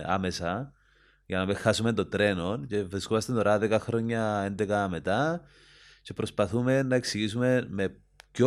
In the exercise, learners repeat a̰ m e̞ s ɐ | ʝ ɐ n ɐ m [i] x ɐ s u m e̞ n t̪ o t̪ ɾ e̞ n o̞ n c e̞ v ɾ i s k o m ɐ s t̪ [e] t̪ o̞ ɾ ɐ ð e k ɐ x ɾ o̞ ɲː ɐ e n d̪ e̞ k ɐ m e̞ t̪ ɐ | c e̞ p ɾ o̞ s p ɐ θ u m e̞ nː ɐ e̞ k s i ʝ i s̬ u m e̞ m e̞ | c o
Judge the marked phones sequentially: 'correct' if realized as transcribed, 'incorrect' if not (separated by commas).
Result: incorrect, correct